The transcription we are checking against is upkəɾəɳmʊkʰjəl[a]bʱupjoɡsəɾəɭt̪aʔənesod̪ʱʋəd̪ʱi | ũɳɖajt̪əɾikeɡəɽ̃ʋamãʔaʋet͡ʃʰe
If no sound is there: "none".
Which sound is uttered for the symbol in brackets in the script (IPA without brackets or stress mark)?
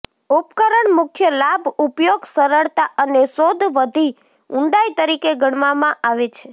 a